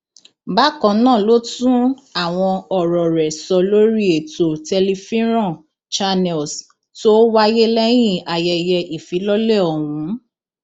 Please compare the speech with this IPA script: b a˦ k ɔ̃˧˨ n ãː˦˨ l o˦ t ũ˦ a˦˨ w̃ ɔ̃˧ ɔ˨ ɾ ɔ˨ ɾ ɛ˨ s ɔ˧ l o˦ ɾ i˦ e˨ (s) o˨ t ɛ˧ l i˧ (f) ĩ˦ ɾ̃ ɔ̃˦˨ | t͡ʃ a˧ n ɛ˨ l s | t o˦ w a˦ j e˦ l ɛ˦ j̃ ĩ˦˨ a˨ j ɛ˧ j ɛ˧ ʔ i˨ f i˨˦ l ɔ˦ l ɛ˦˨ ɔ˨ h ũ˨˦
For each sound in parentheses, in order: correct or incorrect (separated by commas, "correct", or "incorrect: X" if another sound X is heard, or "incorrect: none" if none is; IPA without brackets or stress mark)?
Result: incorrect: t, correct